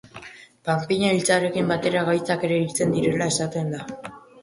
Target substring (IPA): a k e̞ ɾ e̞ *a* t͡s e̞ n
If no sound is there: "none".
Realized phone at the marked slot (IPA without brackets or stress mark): i